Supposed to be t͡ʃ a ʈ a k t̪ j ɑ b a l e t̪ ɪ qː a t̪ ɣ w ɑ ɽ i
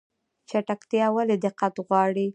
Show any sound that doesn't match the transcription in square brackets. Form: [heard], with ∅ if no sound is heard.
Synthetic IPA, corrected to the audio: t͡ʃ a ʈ a k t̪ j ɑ [w] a l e [d̪] ɪ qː a t̪ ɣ w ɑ ɽ i